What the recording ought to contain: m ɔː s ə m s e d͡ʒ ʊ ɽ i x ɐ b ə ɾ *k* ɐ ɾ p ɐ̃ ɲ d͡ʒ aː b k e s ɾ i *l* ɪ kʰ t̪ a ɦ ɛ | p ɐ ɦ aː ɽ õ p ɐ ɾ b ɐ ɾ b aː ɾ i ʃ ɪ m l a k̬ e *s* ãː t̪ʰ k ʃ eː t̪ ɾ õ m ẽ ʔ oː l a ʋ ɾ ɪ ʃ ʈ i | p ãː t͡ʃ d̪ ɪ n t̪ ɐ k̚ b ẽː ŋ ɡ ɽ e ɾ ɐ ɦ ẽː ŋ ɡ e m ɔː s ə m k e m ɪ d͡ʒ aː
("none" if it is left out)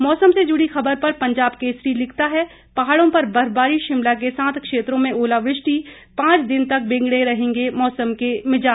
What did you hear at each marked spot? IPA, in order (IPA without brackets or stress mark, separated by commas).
p, l, s